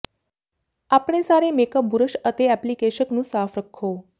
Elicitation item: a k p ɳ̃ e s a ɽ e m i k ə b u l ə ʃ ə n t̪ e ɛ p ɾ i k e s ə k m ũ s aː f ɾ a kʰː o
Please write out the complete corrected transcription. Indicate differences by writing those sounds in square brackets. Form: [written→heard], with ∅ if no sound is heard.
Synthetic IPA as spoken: a [k→∅] p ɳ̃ e s a [ɽ→ɾ] e m [i→e] k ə b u [l→ɾ] ə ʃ ə [n→∅] t̪ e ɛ p [ɾ→l] i k e [s→ʃ] ə k [m→n] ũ s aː f ɾ [a→ə] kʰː o

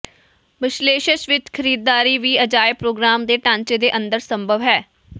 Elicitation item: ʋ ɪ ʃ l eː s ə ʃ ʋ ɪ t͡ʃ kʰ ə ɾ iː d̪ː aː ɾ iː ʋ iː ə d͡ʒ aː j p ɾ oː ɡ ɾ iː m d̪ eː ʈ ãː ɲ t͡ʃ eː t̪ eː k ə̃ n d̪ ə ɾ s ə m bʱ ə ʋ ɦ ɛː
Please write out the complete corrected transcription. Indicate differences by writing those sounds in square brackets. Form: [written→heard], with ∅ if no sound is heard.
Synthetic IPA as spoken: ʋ ɪ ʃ l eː [s→ʃ] ə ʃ ʋ ɪ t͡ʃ kʰ ə ɾ iː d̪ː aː ɾ iː ʋ iː ə d͡ʒ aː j p ɾ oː ɡ ɾ [iː→aː] m d̪ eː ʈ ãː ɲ t͡ʃ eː [t̪→d̪] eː [k→ʔ] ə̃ n d̪ ə ɾ s ə m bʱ ə ʋ ɦ ɛː

